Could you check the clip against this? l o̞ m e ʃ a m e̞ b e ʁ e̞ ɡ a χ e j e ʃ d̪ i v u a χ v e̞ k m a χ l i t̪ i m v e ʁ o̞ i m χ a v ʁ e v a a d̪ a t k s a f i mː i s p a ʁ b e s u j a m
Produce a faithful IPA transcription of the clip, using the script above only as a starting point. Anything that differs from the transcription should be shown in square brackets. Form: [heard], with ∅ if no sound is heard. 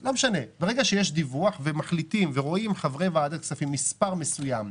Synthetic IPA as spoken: l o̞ m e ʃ a [n] e̞ b e ʁ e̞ ɡ a [ʃ] e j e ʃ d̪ i v u a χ v e̞ [∅] m a χ l i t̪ i m v e ʁ o̞ i m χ a v ʁ e v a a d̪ a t k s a f i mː i s p a ʁ [m] e s u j a m